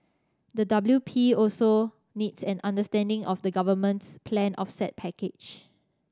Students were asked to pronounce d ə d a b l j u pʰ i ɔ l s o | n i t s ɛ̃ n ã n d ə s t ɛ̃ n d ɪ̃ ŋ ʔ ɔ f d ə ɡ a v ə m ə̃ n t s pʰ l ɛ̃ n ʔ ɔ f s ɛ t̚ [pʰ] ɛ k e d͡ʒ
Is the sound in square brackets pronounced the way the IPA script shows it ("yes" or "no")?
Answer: yes